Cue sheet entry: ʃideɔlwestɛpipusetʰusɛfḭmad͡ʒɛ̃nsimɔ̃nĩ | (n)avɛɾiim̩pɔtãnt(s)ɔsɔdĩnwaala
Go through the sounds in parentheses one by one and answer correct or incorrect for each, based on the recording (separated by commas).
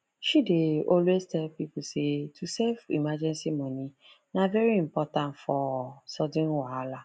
correct, incorrect